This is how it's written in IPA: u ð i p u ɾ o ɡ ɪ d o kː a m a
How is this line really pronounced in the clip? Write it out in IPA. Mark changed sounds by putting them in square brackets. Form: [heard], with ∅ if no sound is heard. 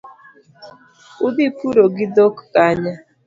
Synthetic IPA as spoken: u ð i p u ɾ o ɡ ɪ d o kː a [ɲ] a